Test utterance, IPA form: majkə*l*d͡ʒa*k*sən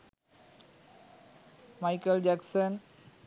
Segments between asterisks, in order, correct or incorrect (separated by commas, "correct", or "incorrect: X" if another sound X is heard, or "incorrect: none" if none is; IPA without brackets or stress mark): correct, correct